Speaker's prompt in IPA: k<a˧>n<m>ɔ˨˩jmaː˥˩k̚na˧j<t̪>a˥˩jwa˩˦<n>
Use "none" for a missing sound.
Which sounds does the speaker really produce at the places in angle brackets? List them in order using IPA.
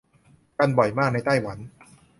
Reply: a˧, b, t̪, n

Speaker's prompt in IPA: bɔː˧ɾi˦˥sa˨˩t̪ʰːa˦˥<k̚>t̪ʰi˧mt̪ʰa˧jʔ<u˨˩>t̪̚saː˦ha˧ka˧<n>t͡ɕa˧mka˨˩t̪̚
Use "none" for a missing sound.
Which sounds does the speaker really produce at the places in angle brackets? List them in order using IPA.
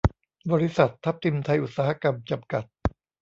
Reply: p̚, u˨˩, m

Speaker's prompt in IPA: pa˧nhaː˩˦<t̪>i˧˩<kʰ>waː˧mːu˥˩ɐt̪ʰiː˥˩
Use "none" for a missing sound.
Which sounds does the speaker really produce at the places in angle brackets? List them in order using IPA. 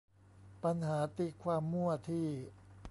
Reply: t̪, kʰ

